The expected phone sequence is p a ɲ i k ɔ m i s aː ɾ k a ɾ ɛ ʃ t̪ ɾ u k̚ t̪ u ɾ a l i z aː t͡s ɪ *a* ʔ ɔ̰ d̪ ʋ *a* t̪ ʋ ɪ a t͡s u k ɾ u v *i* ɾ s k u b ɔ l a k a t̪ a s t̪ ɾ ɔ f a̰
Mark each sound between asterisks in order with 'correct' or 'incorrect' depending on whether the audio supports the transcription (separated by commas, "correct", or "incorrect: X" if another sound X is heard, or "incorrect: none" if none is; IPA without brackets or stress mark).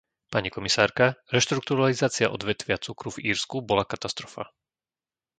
correct, incorrect: ɛ, incorrect: iː